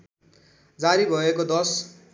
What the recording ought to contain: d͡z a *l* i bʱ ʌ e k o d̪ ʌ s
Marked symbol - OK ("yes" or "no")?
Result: no